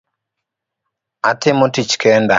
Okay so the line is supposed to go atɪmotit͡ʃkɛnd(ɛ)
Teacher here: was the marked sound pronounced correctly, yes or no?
no